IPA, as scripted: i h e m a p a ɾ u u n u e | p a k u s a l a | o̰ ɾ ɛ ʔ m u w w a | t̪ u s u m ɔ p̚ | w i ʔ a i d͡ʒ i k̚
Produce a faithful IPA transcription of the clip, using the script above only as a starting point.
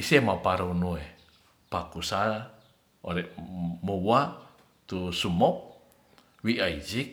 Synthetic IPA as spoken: i s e m a p a ɾ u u n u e | p a k u s a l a | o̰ ɾ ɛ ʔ m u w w a | t̪ u s u m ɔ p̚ | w i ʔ a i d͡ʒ i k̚